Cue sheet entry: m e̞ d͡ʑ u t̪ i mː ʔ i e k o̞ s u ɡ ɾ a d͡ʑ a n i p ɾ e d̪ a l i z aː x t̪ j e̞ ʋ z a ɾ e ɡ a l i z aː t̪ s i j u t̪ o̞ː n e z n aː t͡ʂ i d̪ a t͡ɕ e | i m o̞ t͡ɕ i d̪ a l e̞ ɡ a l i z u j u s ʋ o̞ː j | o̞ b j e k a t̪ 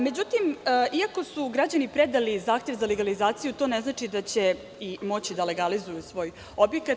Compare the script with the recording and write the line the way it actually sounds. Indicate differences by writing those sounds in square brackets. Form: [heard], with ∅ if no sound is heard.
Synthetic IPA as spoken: m e̞ d͡ʑ u t̪ i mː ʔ i [a] k o̞ s u ɡ ɾ a d͡ʑ a n i p ɾ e d̪ a l i z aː x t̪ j e̞ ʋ z a [l] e ɡ a l i z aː t̪ s i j u t̪ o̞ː n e z n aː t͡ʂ i d̪ a t͡ɕ e | i m o̞ t͡ɕ i d̪ a l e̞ ɡ a l i z u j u s ʋ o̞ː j | o̞ b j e k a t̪